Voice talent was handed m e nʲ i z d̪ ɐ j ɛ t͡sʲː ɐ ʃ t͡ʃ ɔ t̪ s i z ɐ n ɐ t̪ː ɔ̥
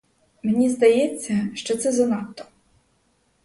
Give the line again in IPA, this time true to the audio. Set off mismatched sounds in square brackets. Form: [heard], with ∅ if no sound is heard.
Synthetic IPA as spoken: m e nʲ i z d̪ ɐ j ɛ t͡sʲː ɐ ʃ t͡ʃ ɔ t̪ s [ɛ] z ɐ n [ɑ] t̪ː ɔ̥